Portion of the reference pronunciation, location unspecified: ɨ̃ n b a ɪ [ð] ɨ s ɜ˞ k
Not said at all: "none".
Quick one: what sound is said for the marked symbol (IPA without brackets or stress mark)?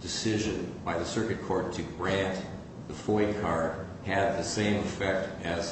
ð